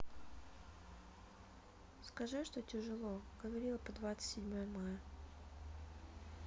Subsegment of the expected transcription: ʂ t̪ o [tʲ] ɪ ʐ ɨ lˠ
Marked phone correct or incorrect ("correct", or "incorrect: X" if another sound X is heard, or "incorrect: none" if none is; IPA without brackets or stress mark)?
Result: correct